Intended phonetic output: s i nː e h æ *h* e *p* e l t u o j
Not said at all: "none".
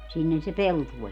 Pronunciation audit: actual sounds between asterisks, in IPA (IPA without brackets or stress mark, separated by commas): s, p